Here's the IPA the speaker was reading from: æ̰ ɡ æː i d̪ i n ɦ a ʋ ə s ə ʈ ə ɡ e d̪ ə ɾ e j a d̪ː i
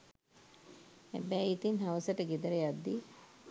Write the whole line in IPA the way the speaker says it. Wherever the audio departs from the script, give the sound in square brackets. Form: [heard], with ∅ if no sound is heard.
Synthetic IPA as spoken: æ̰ [b] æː i [t̪] i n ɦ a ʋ ə s ə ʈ ə ɡ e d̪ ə ɾ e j a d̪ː i